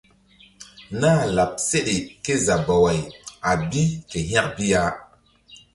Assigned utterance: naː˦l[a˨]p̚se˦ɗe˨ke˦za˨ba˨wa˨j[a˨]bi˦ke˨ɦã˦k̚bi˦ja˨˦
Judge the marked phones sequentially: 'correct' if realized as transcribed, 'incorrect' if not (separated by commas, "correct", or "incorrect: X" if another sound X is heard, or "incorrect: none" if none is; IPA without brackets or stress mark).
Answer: correct, correct